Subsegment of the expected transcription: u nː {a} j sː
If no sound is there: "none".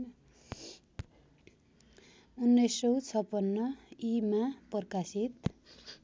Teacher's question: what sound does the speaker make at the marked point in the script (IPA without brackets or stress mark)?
ʌ